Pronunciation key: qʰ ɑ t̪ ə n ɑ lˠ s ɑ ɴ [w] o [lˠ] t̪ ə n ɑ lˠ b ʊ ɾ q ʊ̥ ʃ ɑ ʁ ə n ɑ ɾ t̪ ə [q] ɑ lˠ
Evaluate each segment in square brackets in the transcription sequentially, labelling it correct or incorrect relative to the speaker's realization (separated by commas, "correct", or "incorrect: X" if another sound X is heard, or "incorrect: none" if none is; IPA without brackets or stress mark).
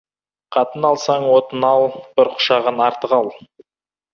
correct, incorrect: none, correct